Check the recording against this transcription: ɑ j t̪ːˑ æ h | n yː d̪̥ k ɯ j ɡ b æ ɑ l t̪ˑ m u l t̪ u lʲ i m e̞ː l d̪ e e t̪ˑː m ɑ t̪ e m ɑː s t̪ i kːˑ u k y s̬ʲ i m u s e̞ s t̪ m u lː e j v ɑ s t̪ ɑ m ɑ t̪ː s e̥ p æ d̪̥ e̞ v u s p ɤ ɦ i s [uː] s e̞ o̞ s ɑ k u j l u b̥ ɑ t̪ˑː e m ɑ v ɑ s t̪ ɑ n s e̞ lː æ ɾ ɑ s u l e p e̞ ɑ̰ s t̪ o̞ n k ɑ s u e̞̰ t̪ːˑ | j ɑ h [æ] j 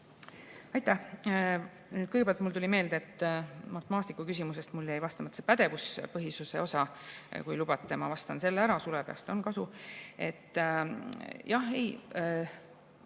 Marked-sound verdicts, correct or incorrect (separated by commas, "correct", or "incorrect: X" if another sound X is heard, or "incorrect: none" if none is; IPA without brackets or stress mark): incorrect: u, incorrect: e